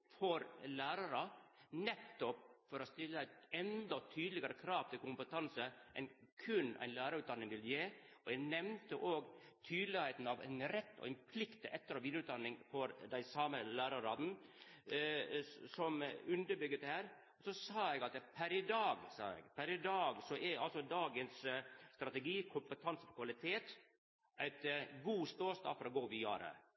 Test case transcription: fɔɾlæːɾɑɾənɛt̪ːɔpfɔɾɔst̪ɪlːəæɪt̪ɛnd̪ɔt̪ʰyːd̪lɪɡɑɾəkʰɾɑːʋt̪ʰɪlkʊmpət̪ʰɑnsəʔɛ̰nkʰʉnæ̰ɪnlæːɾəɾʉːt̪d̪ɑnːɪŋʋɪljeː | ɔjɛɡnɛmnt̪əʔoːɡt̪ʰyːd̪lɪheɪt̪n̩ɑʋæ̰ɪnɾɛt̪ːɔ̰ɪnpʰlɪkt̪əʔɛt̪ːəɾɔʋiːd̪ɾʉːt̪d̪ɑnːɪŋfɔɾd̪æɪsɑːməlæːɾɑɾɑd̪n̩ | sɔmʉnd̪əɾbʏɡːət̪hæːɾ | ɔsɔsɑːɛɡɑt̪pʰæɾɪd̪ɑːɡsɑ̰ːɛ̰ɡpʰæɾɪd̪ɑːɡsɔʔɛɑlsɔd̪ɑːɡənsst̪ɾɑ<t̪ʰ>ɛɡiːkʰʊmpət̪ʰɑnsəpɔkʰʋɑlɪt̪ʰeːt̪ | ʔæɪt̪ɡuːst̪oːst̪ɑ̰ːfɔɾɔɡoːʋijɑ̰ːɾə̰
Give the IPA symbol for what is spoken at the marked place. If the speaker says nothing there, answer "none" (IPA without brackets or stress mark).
t̪